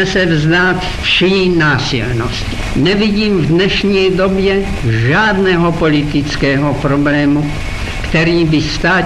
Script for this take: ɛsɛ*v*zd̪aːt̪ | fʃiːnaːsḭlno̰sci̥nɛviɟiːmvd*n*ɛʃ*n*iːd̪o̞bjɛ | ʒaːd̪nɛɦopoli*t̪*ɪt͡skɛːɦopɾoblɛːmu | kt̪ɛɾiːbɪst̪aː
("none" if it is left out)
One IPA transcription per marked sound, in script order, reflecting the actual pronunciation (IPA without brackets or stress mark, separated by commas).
v, n, ɲ, t̪